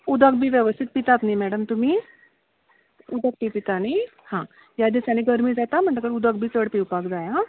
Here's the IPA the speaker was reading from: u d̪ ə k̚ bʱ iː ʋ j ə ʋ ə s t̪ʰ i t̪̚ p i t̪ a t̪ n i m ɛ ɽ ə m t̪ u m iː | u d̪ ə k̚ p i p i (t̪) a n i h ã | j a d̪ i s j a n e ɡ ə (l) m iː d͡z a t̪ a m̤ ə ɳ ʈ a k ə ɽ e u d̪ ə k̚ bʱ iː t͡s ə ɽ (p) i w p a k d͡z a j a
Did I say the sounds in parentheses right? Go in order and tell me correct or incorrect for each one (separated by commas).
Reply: correct, incorrect, correct